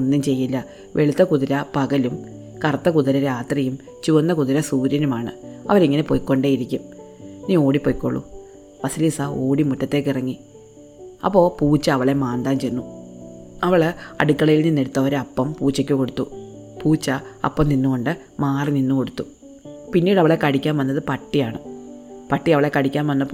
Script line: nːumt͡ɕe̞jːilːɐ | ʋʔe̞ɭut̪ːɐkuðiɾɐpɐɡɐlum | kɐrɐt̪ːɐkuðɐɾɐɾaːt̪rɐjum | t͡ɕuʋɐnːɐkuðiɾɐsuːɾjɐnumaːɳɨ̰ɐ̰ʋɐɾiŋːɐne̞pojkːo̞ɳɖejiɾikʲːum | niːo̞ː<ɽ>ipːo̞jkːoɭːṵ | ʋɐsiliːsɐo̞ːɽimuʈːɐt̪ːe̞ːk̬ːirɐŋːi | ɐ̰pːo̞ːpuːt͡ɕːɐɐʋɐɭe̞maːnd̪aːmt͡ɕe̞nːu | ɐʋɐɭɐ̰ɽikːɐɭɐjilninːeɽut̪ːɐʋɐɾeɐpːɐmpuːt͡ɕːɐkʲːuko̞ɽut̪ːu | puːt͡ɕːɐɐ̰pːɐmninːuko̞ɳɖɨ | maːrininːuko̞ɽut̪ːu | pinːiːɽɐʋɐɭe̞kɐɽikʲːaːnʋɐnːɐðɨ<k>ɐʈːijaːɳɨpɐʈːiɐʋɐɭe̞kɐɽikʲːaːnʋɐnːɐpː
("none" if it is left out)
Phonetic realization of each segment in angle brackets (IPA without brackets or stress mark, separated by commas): ɽ, p